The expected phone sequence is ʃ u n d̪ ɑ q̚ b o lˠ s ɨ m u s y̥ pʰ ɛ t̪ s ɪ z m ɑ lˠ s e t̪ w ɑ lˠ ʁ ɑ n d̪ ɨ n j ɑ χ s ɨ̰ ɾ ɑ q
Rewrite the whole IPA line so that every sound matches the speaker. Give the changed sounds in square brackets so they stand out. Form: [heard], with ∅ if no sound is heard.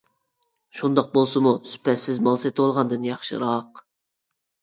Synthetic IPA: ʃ u n d̪ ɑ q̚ b o lˠ s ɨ m u s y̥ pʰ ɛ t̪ s ɪ z m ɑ lˠ s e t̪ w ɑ lˠ ʁ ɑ n d̪ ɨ n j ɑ χ [ʃ] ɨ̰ ɾ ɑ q